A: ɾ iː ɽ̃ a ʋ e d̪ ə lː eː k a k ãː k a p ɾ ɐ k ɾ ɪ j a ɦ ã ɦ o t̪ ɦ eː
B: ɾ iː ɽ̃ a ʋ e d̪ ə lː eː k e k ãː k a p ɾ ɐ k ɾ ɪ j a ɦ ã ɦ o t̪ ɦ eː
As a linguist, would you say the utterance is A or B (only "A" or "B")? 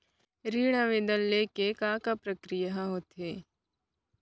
B